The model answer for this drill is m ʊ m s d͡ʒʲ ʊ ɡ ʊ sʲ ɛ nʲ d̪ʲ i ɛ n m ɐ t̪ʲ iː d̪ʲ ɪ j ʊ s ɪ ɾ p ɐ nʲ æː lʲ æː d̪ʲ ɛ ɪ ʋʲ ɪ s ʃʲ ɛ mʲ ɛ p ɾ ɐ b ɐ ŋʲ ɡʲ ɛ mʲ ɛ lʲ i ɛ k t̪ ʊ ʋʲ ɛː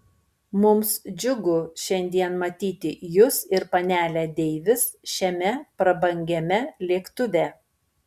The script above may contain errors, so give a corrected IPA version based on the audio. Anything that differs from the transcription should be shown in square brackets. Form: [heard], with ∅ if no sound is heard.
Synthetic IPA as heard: m ʊ m s d͡ʒʲ ʊ ɡ ʊ [ʃʲ] ɛ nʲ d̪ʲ i ɛ n m ɐ t̪ʲ iː [t̪ʲ] ɪ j ʊ s ɪ ɾ p ɐ nʲ æː lʲ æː d̪ʲ ɛ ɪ ʋʲ ɪ s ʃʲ ɛ mʲ ɛ p ɾ ɐ b ɐ ŋʲ ɡʲ ɛ mʲ ɛ lʲ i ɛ k t̪ ʊ ʋʲ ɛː